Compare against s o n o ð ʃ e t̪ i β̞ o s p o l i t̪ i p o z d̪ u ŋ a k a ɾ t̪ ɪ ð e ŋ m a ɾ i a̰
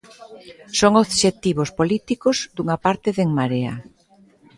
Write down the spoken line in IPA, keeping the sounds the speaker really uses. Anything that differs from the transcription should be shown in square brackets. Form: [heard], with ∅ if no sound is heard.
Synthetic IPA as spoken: s o [ŋ] o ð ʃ e t̪ i β̞ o s p o l i t̪ i [k] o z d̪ u ŋ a [p] a ɾ t̪ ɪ ð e ŋ m a ɾ [e] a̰